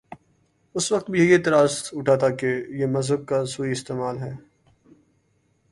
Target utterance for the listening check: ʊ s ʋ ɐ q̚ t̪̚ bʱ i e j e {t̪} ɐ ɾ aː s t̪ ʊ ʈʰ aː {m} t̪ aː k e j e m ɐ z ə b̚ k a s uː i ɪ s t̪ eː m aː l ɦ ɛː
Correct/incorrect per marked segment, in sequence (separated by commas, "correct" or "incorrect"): correct, incorrect